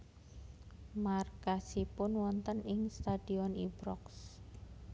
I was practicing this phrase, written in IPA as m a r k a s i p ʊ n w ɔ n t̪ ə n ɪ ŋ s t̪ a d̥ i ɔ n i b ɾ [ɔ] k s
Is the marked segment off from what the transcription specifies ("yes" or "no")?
no